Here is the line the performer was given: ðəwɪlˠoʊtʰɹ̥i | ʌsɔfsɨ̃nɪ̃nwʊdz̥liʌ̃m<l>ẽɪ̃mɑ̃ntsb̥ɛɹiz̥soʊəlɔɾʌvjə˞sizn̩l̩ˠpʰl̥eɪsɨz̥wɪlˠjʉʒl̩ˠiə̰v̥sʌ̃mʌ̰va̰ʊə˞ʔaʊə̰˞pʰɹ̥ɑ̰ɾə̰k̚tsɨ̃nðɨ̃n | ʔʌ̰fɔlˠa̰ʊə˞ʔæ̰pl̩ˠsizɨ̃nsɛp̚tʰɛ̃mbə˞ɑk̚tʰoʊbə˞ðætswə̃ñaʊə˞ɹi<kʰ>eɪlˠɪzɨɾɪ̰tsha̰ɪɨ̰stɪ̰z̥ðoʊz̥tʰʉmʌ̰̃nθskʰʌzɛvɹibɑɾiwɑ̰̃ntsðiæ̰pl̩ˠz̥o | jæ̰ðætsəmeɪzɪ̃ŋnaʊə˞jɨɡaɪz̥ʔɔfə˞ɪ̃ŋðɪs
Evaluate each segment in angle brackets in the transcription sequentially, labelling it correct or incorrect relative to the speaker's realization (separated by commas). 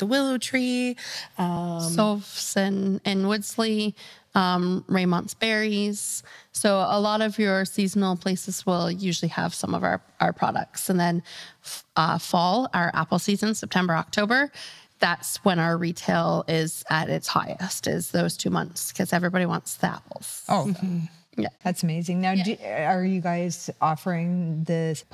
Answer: incorrect, incorrect